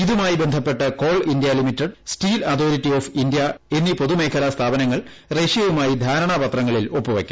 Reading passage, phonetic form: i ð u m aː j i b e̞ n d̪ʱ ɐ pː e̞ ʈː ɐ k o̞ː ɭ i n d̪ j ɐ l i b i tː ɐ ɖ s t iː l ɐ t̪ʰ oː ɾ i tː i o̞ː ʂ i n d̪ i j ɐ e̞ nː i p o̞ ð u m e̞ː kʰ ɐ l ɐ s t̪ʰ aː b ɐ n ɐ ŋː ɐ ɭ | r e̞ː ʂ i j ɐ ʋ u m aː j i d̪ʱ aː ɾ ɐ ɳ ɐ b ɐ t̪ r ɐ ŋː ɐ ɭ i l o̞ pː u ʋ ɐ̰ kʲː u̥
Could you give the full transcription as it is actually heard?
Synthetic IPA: i ð u m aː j i b e̞ n d̪ʱ ɐ pː e̞ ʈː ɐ k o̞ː ɭ i n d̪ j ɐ l i m i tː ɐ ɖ s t iː l ɐ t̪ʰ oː ɾ i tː i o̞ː f i n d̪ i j ɐ e̞ nː i p o̞ ð u m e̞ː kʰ ɐ l ɐ s t̪ʰ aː b ɐ n ɐ ŋː ɐ ɭ | r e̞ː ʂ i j ɐ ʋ u m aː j i d̪ʱ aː ɾ ɐ ɳ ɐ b ɐ t̪ r ɐ ŋː ɐ ɭ i l o̞ pː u ʋ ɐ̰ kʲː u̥